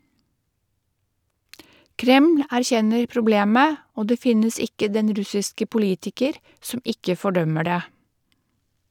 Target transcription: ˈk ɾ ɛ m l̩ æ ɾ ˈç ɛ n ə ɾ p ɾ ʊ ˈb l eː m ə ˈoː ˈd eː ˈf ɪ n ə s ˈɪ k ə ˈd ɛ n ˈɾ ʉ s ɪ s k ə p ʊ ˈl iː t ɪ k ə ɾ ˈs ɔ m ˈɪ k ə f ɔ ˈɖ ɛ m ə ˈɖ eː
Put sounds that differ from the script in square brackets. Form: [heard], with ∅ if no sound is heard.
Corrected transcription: ˈk ɾ ɛ m l̩ æ ɾ ˈç ɛ n ə ɾ p ɾ ʊ ˈb l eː m ə ˈoː ˈd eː ˈf ɪ n ə s ˈɪ k ə ˈd ɛ n ˈɾ ʉ s ɪ s k ə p ʊ ˈl iː t ɪ k ə ɾ ˈs ɔ m ˈɪ k ə f ɔ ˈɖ [œ] m ə ˈɖ eː